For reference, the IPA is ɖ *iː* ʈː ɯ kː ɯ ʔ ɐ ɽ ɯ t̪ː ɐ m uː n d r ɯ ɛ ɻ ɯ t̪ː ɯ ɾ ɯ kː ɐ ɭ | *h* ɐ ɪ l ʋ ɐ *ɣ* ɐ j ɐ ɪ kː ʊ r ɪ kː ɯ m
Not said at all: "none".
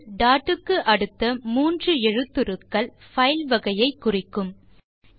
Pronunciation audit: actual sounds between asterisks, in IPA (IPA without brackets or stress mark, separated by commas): aː, f, ɣ